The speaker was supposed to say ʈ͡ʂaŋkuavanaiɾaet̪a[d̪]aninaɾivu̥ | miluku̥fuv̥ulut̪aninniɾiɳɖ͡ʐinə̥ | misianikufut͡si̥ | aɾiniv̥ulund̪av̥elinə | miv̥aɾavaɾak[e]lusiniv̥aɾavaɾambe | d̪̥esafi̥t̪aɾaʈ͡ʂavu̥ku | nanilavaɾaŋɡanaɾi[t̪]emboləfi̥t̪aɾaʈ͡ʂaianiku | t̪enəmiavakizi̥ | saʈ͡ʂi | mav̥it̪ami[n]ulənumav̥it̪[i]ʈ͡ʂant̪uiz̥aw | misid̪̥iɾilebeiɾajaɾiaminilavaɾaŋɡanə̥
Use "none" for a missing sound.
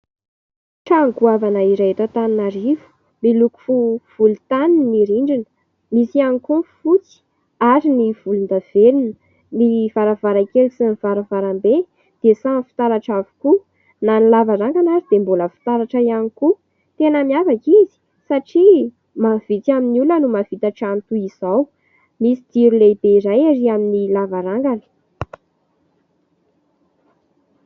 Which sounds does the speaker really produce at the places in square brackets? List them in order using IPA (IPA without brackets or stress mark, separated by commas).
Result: t̪, e, d̪, n, a